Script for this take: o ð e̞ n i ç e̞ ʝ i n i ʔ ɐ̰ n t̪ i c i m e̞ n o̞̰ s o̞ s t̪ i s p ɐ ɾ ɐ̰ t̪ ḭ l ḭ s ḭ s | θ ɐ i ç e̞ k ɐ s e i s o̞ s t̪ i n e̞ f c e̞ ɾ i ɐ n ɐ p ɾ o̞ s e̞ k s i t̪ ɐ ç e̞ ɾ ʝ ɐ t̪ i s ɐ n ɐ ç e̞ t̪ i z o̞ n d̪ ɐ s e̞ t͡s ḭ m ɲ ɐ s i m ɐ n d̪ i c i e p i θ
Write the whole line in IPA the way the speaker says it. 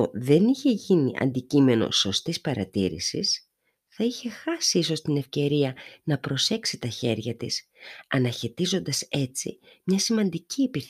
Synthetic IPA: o ð e̞ n i ç e̞ ʝ i n i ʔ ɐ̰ n d̪ i c i m e̞ n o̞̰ s o̞ s t̪ i s p ɐ ɾ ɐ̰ t̪ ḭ ɾ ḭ s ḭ s | θ ɐ i ç e̞ x ɐ s i i s o̞ s t̪ i n e̞ f c e̞ ɾ i ɐ n ɐ p ɾ o̞ s e̞ k s i t̪ ɐ ç e̞ ɾ ʝ ɐ t̪ i s ɐ n ɐ ç e̞ t̪ i z o̞ n d̪ ɐ s e̞ t͡s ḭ m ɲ ɐ s i m ɐ n d̪ i c i e p i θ